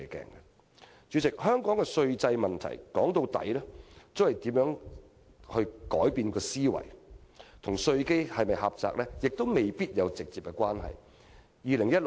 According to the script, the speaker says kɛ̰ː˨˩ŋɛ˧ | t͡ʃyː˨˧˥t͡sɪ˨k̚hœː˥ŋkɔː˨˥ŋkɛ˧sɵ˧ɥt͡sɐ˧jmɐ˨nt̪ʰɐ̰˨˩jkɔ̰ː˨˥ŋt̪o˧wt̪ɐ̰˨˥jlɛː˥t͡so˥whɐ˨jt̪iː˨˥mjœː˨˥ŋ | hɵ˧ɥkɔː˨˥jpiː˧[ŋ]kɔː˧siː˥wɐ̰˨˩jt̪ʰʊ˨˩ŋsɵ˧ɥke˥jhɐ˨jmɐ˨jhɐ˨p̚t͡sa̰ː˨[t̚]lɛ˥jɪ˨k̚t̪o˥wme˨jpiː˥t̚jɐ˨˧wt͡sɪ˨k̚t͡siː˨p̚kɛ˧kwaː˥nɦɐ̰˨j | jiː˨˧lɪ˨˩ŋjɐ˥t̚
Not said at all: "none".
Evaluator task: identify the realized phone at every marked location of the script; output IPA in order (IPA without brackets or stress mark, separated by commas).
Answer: n, k̚